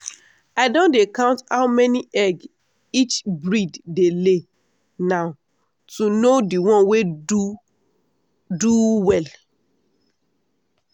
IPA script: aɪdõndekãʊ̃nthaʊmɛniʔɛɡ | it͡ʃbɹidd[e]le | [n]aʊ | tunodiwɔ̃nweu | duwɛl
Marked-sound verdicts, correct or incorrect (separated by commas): correct, correct